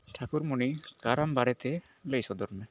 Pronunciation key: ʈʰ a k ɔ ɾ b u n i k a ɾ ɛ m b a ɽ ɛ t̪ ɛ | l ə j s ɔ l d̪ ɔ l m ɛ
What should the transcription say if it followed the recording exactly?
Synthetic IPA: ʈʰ a k u ɾ m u n i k a ɾ a m b a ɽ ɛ t̪ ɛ | l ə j s ɔ d̪ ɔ ɾ m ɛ

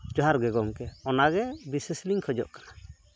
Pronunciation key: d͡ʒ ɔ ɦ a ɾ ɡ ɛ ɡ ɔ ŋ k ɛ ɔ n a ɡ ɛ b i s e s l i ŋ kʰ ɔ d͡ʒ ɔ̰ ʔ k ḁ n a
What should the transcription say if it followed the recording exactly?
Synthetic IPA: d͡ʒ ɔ ɦ a ɾ ɡ ɛ ɡ ɔ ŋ k ɛ ɔ n a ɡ ɛ b i s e s l i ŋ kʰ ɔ d͡ʒ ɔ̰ ʔ k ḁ n a

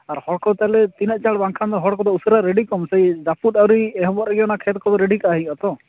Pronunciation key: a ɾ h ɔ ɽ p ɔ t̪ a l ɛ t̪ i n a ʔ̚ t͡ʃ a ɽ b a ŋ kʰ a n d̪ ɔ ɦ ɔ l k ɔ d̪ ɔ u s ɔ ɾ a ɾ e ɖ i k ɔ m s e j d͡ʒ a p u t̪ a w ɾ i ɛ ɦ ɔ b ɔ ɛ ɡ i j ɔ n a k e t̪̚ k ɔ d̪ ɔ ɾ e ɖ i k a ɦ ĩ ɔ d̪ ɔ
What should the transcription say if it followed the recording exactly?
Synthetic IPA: a ɾ h ɔ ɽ k ɔ t̪ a l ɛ t̪ i n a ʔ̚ t͡ʃ a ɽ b a ŋ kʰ a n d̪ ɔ ɦ ɔ ɽ k ɔ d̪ ɔ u s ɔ ɾ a ɾ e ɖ i k ɔ m s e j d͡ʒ a p u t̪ a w ɾ i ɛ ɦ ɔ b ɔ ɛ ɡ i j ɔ n a kʰ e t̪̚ k ɔ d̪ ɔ ɾ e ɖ i k a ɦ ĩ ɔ t̪ ɔ

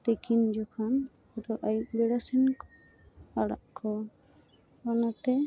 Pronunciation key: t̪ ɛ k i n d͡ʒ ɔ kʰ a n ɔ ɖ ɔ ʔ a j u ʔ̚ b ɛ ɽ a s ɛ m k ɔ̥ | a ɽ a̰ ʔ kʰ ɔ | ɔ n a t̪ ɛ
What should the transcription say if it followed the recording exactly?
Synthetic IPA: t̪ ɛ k i n d͡ʒ ɔ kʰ a n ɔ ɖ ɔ ʔ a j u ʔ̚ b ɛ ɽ a s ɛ n k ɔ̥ | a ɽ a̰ ʔ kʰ ɔ | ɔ n a t̪ ɛ

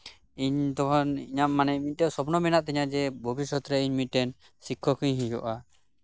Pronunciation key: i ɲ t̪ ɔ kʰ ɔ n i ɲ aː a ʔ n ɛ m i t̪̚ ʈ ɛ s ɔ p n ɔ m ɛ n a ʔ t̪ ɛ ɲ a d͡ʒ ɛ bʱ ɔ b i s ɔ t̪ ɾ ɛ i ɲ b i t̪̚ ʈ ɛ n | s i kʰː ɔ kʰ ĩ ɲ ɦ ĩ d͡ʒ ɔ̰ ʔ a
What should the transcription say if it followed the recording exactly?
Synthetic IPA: i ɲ t̪ ɔ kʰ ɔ n i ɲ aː a n ɛ m i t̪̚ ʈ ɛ s ɔ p n ɔ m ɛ n a ʔ t̪ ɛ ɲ a d͡ʒ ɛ bʱ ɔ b i s ɔ t̪ ɾ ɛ i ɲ m i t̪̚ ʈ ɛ n | s i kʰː ɔ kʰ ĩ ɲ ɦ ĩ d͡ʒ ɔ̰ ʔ a

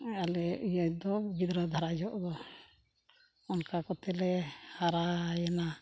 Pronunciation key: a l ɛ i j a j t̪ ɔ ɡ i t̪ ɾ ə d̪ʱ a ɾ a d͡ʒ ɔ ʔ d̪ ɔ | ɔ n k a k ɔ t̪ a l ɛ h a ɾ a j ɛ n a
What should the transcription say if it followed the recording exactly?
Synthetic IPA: a l ɛ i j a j d̪ ɔ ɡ i d̪ ɾ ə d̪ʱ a ɾ a d͡ʒ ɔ ʔ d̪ ɔ | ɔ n k a k ɔ t̪ ɛ l ɛ h a ɾ a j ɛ n a

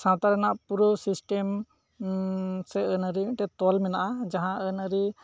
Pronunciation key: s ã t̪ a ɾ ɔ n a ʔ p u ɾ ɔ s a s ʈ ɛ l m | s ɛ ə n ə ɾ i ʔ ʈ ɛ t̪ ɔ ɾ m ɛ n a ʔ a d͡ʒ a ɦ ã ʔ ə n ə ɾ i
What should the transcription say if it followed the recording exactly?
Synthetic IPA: s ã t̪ a ɾ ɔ n a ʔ p u ɾ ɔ s i s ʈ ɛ m | s ɛ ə n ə ɾ i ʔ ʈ ɛ t̪ ɔ l m ɛ n a ʔ a d͡ʒ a ɦ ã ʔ ə n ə ɾ i

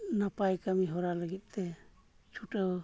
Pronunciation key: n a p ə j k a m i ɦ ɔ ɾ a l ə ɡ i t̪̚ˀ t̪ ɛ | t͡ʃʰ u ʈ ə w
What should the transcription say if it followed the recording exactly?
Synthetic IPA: n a p a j k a m i ɦ ɔ ɾ a l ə ɡ i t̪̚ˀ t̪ ɛ | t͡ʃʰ u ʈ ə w

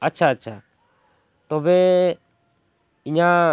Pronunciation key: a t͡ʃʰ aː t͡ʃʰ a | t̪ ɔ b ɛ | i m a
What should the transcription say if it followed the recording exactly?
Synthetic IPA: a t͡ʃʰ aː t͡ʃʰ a | t̪ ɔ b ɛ | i ɲ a

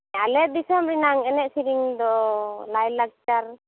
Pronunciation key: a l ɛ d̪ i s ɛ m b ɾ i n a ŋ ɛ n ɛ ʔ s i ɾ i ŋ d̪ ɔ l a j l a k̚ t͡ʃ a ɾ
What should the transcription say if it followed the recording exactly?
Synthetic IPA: a l ɛ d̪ i s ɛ m b ɾ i n a ŋ ɛ n ɛ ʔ s i ɾ i ŋ d̪ ɔ l a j l a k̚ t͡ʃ a ɾ

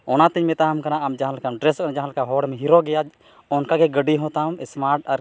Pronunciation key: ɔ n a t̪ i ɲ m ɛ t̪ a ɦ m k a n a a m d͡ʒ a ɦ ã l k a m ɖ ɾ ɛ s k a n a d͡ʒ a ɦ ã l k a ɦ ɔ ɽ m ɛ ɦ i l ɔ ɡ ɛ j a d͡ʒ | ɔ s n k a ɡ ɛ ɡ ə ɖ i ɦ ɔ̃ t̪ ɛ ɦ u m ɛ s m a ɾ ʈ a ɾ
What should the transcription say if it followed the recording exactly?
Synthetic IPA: ɔ n a t̪ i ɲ m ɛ t̪ a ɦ m k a n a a m d͡ʒ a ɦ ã l k a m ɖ ɾ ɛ s k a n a d͡ʒ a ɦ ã l k a ɦ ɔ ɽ m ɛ ɦ i ɾ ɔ ɡ ɛ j a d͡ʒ | ɔ n k a ɡ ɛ ɡ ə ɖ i ɦ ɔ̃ t̪ a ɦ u m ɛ s m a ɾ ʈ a ɾ

